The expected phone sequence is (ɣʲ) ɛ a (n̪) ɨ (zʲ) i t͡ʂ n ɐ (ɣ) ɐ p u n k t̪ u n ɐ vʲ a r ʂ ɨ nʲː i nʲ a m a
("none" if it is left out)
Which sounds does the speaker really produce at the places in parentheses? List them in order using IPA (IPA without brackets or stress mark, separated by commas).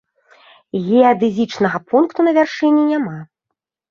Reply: ɣʲ, d̪, zʲ, ɣ